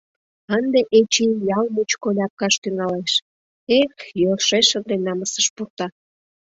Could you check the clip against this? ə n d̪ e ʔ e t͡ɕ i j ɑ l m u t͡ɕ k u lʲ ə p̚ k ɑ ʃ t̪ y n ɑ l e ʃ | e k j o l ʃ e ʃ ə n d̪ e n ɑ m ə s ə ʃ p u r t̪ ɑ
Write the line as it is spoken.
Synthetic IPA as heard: ə n d̪ e ʔ e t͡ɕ i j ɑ l m u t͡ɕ k o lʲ ɑ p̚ k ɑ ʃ t̪ y ŋ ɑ l e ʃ | e k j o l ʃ e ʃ ə n d̪ e n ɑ m ə s ə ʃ p u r t̪ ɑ